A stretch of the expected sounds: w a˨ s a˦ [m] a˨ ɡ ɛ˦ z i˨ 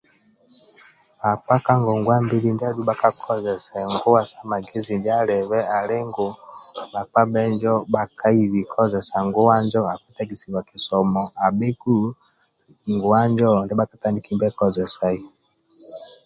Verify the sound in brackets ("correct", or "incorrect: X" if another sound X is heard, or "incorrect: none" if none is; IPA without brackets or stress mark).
correct